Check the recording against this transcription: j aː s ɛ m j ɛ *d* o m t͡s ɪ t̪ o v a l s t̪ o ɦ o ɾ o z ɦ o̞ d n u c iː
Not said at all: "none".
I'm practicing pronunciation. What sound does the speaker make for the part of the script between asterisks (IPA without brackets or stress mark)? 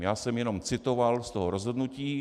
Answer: n